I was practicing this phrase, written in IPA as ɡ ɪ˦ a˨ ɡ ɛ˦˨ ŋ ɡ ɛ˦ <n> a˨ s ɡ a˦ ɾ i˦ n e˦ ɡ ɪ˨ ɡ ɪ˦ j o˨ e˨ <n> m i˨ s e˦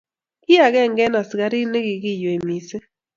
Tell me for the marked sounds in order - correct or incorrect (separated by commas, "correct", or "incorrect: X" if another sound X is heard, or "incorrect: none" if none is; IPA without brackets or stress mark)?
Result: correct, incorrect: none